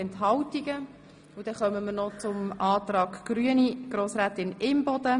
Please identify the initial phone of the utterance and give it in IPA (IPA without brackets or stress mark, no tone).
ɛ